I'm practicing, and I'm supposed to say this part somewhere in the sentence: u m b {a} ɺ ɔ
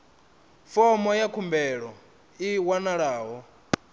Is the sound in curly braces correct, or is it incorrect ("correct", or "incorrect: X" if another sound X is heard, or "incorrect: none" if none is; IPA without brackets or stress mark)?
incorrect: ɛ